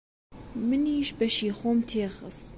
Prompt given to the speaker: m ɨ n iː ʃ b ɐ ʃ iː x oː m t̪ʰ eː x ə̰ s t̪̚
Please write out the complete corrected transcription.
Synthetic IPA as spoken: m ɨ n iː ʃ b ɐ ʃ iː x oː m t̪ʰ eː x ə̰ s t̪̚